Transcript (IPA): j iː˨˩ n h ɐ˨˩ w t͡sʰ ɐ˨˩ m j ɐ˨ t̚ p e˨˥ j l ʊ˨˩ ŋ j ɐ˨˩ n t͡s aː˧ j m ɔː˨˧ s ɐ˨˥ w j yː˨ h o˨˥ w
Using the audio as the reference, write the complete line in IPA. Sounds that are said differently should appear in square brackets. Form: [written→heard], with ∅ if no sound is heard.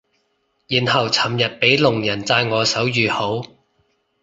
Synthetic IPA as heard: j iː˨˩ n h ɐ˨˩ w t͡sʰ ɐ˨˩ m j ɐ˨ t̚ p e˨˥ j l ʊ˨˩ ŋ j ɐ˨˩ n t͡s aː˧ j [m→ŋ] ɔː˨˧ s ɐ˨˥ w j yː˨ h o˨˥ w